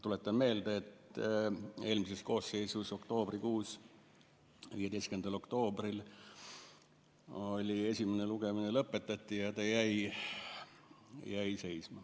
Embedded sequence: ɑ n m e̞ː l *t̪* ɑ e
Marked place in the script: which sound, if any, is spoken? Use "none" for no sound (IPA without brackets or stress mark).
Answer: d̪